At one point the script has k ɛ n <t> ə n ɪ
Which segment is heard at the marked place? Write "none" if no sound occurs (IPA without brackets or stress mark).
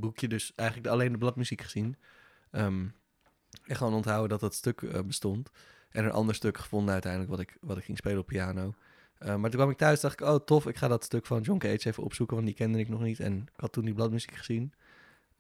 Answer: d